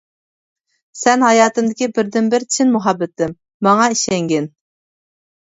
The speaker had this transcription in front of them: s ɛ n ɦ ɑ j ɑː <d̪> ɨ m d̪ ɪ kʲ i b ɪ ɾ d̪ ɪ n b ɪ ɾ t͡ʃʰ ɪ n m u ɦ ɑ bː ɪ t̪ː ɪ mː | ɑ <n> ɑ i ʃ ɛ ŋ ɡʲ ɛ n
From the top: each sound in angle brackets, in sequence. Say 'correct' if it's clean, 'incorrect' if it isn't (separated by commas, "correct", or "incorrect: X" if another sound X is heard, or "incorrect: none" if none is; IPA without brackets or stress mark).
incorrect: t̪, incorrect: ŋ